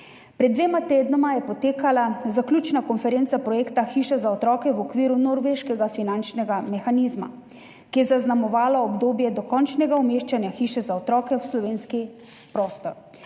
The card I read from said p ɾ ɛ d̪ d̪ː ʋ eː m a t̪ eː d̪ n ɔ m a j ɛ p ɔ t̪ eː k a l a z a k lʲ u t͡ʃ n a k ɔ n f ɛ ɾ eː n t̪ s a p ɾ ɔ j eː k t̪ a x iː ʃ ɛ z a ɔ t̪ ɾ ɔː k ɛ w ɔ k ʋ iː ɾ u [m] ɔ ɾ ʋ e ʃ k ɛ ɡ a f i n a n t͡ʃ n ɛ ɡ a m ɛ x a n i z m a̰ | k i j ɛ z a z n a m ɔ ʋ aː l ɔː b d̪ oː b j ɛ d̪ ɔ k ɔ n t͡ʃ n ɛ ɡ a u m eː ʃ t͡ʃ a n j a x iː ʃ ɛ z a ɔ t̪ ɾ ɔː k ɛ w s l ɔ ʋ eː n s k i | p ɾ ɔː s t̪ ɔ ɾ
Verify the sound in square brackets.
incorrect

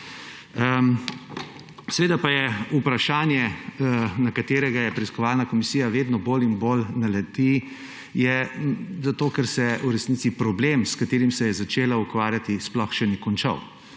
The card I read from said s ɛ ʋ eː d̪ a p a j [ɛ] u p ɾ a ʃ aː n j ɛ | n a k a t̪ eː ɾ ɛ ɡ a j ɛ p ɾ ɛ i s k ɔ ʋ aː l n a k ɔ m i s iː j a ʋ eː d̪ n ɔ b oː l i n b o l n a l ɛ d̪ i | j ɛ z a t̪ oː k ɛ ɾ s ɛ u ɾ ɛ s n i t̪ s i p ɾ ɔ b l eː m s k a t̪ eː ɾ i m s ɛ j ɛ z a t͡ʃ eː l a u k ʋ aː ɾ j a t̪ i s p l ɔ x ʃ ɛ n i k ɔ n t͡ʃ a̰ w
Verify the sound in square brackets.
correct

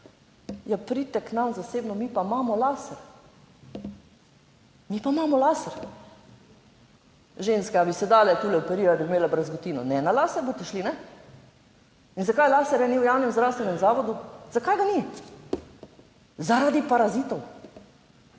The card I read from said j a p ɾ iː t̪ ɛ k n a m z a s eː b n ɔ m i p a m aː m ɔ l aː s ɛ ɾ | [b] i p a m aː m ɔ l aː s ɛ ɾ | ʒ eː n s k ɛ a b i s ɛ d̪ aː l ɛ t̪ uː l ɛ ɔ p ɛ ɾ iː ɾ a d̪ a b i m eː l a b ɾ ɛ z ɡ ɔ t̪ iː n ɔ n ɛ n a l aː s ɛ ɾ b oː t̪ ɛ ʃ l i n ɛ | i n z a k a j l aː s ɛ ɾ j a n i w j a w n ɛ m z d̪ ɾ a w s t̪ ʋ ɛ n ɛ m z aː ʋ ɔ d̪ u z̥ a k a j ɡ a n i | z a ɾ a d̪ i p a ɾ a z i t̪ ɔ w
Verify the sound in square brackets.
incorrect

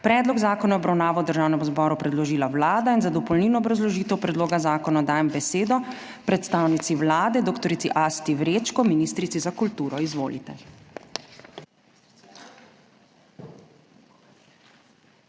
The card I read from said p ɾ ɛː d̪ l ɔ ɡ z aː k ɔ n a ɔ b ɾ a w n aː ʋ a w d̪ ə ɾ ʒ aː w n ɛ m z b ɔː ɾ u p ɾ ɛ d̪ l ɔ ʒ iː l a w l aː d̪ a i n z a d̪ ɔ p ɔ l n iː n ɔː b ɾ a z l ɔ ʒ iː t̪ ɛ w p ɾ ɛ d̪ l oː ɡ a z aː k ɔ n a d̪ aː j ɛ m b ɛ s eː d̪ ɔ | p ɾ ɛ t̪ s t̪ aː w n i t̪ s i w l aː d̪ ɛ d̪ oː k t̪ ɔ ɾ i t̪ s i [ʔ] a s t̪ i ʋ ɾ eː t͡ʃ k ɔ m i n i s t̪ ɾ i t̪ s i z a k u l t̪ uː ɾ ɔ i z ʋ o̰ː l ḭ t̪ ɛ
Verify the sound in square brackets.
correct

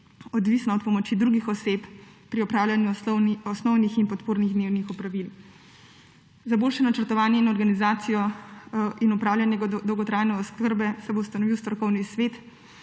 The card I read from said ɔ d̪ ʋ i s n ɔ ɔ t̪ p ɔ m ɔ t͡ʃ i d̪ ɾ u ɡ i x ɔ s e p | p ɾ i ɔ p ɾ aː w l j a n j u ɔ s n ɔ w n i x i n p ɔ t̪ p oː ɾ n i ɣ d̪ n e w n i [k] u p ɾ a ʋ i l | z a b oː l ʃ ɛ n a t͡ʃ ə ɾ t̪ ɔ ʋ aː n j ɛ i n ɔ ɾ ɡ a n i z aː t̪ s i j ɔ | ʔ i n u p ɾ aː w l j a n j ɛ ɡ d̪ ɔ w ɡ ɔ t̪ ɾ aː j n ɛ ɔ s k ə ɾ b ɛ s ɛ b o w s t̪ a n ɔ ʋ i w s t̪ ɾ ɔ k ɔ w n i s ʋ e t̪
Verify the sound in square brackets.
incorrect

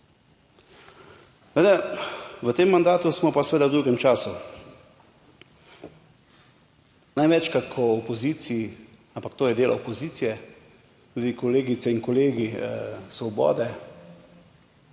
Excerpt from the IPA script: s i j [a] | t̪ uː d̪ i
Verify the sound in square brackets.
incorrect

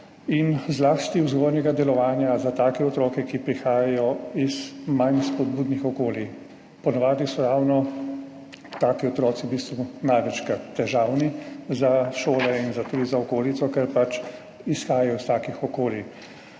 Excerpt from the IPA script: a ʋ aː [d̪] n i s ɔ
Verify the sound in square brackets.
correct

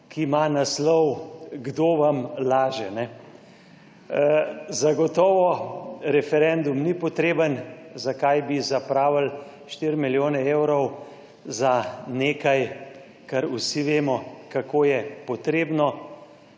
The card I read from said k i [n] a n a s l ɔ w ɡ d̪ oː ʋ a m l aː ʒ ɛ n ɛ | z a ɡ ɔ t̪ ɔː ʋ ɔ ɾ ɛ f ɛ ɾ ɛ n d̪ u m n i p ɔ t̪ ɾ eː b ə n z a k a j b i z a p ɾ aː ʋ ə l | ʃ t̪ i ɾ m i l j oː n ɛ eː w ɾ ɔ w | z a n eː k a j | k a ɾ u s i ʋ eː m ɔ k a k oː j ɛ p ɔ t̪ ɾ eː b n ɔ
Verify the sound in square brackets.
incorrect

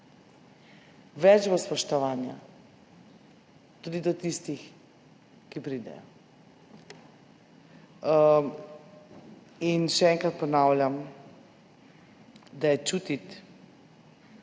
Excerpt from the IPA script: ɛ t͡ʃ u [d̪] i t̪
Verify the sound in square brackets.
incorrect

